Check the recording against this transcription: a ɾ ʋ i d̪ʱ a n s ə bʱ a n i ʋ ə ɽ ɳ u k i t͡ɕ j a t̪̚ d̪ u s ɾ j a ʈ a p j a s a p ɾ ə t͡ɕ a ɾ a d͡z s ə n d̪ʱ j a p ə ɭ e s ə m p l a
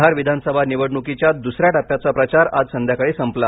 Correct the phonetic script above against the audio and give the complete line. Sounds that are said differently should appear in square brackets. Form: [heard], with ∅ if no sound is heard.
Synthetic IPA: a ɾ ʋ i d̪ʱ a n s ə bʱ a n i ʋ ə ɽ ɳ u k i t͡ɕ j a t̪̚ d̪ u s ɾ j a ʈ a p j a [t͡s] a p ɾ ə t͡ɕ a ɾ a d͡z s ə n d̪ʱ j a [k] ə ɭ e s ə m p l a